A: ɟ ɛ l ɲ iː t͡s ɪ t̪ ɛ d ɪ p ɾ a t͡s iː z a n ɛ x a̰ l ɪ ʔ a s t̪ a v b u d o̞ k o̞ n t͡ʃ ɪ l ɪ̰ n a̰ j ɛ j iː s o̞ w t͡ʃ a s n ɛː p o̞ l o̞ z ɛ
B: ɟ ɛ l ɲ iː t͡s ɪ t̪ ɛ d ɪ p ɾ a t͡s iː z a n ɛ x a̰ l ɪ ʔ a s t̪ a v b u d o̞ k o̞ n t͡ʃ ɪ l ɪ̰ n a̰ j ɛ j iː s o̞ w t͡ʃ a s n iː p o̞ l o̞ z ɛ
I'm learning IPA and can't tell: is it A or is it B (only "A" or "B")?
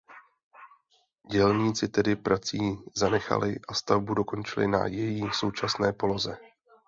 A